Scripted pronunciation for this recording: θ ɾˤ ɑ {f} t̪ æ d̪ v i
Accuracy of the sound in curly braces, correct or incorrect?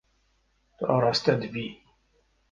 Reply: incorrect